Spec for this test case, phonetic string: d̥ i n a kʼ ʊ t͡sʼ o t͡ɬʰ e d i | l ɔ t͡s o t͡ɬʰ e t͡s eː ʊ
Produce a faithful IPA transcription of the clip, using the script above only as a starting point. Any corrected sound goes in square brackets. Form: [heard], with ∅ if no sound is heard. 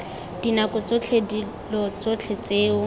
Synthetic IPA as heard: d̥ i n a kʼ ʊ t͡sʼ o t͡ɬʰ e d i | l ɔ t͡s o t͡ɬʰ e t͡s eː ʊ